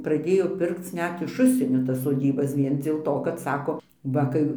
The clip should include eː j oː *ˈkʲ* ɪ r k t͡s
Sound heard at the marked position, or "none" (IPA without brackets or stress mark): pʲ